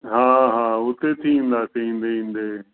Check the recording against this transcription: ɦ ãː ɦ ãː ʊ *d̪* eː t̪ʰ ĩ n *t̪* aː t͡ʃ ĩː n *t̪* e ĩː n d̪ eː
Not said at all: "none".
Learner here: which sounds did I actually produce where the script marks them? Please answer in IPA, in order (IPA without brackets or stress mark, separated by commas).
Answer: t̪, d̪, d̪